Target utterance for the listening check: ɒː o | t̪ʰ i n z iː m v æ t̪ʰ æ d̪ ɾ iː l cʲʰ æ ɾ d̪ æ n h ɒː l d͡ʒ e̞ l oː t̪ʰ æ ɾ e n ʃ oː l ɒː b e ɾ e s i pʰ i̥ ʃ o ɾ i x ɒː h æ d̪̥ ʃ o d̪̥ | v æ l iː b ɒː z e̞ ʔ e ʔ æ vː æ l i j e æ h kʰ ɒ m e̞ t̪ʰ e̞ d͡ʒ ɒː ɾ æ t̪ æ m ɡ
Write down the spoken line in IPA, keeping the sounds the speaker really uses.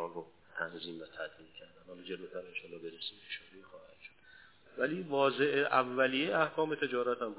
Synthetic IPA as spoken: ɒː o | t̪ʰ æ n z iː m v æ t̪ʰ æ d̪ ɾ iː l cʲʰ æ ɾ d̪ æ n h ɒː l d͡ʒ e̞ l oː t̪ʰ æ ɾ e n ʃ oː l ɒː b e ɾ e s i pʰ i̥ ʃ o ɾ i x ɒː h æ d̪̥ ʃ o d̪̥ | v æ l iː v ɒː z e̞ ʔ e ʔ æ vː æ l i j e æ h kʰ ɒː m e̞ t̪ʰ e̞ d͡ʒ ɒː ɾ æ t̪ æ m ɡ